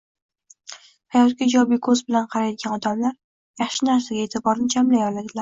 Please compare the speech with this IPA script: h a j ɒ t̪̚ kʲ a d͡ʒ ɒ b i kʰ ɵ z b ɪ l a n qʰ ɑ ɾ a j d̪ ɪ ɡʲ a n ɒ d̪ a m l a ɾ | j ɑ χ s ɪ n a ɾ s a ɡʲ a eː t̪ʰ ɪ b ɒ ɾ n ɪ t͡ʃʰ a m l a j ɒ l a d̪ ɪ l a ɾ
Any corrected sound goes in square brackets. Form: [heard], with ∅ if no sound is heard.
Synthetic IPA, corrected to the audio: h a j ɒ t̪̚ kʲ a d͡ʒ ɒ b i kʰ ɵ z b ɪ l a n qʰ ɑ ɾ a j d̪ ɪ ɡʲ a n ɒ d̪ a m l a ɾ | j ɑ χ [ʃ] ɪ n a ɾ s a ɡʲ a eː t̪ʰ ɪ b ɒ ɾ n ɪ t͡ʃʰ a m l a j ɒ l a d̪ ɪ l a ɾ